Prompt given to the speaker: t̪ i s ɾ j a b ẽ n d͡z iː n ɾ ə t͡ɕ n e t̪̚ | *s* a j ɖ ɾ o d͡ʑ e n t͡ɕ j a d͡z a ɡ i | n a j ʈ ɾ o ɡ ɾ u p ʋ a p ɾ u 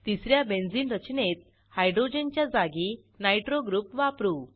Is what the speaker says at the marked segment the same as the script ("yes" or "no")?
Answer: no